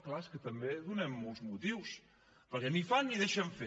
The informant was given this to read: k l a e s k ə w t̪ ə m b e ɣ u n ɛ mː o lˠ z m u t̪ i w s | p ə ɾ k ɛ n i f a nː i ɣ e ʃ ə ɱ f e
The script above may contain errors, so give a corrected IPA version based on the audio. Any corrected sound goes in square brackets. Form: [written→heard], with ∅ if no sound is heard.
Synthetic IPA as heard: k l a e s k ə [w→∅] t̪ ə m b e [ɣ→ð] u n ɛ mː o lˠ z m u t̪ i w s | p ə ɾ k ɛ n i f a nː i [ɣ→ð] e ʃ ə ɱ f e